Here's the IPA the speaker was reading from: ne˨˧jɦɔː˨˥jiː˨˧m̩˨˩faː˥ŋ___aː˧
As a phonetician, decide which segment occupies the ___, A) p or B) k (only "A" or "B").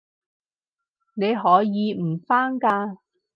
B